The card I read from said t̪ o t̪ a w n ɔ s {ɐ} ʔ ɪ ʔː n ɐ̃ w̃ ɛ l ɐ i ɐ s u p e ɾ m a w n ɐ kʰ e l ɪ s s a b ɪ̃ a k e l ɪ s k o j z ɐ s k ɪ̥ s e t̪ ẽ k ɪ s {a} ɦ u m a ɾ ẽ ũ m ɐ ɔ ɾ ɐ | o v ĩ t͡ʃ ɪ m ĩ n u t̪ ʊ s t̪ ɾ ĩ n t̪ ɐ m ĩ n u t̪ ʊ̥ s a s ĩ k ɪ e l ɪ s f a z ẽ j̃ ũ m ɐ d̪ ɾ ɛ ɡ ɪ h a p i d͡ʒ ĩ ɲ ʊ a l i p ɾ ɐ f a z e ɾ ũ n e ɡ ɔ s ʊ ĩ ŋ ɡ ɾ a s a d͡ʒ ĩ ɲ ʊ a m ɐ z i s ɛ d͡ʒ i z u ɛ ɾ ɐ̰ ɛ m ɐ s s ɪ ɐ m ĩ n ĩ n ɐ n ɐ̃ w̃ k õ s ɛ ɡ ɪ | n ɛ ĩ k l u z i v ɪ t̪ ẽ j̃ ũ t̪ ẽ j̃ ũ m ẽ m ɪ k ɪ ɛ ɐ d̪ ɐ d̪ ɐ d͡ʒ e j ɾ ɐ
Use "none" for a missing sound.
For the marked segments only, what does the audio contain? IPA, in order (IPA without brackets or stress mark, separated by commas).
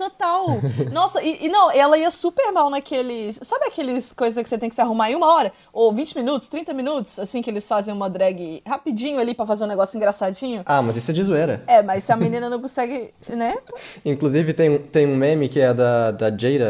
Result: ɐ, a